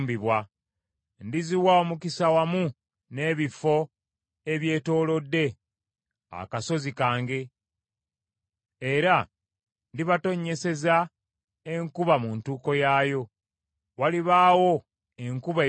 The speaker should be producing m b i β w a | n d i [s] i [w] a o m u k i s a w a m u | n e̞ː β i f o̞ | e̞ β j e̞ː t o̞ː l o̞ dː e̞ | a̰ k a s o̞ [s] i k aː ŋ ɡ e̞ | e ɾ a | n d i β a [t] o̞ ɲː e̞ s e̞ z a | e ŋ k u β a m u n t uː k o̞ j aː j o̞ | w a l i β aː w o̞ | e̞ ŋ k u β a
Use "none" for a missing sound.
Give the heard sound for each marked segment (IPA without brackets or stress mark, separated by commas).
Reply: z, w, z, t